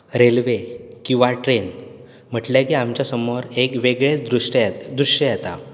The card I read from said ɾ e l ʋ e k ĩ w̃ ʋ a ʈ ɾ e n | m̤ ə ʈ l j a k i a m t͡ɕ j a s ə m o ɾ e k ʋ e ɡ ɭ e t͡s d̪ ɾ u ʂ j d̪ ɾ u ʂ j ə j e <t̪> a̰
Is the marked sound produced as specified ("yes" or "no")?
yes